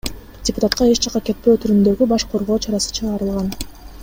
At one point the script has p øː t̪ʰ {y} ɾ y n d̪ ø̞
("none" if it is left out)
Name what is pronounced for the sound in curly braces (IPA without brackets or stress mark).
y